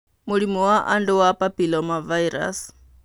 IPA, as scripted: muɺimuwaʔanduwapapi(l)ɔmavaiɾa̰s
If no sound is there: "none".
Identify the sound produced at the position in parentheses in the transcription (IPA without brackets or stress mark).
l